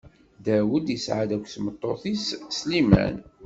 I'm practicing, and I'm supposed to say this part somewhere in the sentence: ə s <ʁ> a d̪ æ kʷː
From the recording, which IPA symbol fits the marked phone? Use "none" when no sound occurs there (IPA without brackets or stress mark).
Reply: ʕ